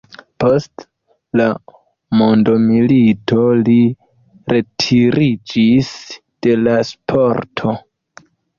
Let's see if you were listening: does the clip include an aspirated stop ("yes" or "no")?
yes